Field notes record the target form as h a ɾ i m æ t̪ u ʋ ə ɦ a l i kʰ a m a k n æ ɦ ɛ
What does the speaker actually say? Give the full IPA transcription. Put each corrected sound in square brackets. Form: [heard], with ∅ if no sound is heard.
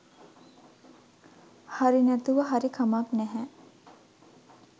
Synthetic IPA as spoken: h a ɾ i [n] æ t̪ u ʋ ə ɦ a [ɾ] i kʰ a m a k n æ ɦ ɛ